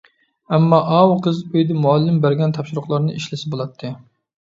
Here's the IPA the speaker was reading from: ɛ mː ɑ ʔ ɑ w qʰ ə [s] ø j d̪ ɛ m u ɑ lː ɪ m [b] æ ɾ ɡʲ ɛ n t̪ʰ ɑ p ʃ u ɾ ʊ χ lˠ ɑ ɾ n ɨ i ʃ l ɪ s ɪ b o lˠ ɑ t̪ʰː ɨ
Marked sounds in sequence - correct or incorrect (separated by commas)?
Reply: incorrect, correct